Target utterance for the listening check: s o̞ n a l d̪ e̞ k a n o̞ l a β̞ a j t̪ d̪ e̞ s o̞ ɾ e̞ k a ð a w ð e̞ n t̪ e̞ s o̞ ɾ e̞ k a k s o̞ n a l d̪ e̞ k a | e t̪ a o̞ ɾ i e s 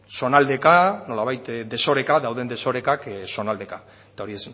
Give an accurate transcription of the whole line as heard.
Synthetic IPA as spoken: s o̞ n a l d̪ e̞ k a n o̞ l a β̞ a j t̪ d̪ e̞ s o̞ ɾ e̞ k a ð a w ð e̞ n d̪ e̞ s o̞ ɾ e̞ k a k s o̞ n a l d̪ e̞ k a | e t̪ a o̞ ɾ i e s